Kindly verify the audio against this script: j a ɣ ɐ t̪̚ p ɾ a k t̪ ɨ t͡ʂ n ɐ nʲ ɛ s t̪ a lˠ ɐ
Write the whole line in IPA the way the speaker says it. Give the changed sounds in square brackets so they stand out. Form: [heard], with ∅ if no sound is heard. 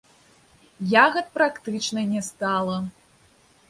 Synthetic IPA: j a ɣ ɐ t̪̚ p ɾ a k t̪ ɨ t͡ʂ n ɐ nʲ ɛ s t̪ a lˠ ɐ